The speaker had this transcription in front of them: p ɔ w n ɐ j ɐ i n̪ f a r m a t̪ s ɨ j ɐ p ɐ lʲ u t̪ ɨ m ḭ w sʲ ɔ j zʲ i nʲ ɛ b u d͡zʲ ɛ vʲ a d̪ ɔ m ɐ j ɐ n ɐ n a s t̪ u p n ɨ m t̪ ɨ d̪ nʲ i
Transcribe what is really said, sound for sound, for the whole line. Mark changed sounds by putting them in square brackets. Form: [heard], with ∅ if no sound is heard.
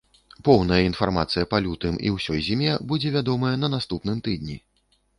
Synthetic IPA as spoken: p ɔ w n ɐ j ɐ i n̪ f a r m a t̪ s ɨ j ɐ p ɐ lʲ u t̪ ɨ m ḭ w sʲ ɔ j zʲ i [mʲ] ɛ b u d͡zʲ ɛ vʲ a d̪ ɔ m ɐ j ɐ n ɐ n a s t̪ u p n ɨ m t̪ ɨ d̪ nʲ i